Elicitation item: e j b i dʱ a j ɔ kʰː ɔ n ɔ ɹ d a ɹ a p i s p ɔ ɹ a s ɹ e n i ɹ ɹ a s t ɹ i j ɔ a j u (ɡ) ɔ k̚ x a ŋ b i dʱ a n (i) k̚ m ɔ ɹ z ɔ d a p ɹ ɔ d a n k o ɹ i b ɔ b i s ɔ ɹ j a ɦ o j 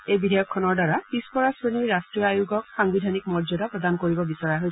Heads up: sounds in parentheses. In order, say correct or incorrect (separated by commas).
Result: correct, correct